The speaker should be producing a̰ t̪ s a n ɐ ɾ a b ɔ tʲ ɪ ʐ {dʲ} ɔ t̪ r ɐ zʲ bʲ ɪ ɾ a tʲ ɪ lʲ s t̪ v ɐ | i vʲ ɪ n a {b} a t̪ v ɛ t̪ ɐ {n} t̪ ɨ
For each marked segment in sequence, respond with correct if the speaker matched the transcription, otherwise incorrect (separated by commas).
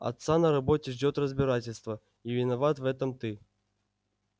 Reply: correct, incorrect, incorrect